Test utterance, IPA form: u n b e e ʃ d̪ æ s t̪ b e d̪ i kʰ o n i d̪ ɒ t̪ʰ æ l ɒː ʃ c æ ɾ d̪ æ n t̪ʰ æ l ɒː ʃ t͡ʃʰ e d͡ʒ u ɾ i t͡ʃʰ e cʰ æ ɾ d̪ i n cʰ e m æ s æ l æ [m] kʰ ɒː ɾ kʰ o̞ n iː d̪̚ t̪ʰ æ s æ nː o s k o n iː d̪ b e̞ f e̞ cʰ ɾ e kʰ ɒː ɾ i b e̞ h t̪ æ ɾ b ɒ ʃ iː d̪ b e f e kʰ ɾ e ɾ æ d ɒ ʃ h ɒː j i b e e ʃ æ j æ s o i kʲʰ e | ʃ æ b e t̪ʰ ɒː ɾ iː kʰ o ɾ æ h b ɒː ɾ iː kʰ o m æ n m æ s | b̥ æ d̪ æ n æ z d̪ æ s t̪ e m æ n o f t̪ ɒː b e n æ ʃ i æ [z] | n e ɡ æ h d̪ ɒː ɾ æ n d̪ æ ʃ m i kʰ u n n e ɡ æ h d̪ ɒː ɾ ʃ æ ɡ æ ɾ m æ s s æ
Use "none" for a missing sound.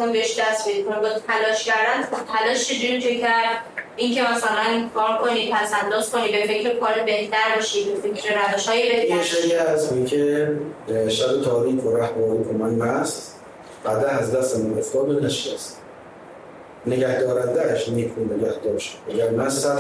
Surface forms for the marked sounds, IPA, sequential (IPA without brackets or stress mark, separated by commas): n, s